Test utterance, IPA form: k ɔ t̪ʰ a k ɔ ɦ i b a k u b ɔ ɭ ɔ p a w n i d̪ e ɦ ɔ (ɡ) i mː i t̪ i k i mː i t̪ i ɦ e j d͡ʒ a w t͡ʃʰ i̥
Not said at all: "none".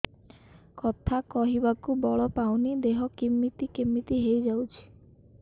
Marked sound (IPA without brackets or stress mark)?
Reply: k